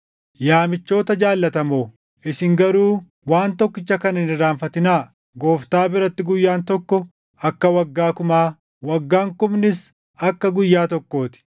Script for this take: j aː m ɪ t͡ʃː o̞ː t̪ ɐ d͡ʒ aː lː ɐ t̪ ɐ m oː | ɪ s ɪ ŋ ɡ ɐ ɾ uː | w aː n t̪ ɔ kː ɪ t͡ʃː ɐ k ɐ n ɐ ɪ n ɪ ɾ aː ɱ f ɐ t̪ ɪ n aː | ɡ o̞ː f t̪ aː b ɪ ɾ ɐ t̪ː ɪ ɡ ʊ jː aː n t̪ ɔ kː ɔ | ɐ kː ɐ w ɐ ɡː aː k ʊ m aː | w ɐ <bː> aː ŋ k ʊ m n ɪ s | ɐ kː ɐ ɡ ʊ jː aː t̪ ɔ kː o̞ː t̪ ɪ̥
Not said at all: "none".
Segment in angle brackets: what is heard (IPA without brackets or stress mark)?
ɡː